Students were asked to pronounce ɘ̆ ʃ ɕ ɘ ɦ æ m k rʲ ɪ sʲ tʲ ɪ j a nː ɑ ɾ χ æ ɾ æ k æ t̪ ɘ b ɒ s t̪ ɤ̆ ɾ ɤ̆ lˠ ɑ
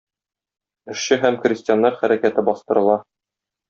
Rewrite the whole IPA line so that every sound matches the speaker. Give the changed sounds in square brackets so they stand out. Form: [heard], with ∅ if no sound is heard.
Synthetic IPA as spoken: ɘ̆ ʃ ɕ ɘ ɦ æ m k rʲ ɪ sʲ tʲ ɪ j a nː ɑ ɾ χ æ ɾ æ k æ t̪ ɘ b ɒ s t̪ ɤ̆ ɾ ɤ̆ lˠ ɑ